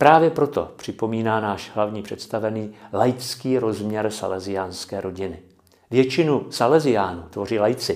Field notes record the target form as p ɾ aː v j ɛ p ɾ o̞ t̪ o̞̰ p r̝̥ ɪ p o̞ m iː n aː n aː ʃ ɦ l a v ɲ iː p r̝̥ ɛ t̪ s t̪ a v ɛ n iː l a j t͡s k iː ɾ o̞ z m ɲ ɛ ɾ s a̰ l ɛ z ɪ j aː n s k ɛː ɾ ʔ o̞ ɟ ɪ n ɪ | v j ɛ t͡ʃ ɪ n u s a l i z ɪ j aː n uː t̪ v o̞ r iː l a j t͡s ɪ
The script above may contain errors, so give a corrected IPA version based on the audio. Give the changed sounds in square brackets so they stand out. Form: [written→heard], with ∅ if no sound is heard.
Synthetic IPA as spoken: p ɾ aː v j ɛ p ɾ o̞ t̪ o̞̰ p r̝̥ ɪ p o̞ m iː n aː n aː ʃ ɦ l a v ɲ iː p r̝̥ ɛ t̪ s t̪ a v ɛ n iː l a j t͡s k iː ɾ o̞ z m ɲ ɛ ɾ s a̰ l ɛ z ɪ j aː n s k ɛː ɾ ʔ o̞ ɟ ɪ n ɪ | v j ɛ t͡ʃ ɪ n u s a l [i→ɛ] z ɪ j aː n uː t̪ v o̞ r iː l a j t͡s ɪ